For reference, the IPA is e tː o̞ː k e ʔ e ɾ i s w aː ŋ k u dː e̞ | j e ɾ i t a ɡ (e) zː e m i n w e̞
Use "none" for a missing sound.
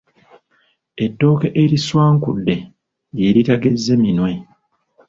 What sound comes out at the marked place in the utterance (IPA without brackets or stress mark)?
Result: e